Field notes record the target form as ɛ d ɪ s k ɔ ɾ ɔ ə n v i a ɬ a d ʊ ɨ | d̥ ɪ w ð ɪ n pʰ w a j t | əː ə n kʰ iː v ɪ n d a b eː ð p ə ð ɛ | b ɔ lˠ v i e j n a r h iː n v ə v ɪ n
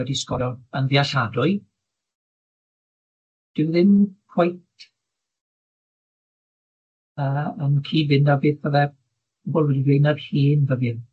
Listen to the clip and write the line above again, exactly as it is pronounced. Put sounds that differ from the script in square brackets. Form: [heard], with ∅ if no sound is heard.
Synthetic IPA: ɛ d [i] s k ɔ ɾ ɔ ə n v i a ɬ a d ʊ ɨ | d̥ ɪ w ð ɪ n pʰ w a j t | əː ə n kʰ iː v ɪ n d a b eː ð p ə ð ɛ | b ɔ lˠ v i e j n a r h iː n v ə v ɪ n